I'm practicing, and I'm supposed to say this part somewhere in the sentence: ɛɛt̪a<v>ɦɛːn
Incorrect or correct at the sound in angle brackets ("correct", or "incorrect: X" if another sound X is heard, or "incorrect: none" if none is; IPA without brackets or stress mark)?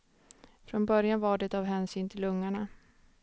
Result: correct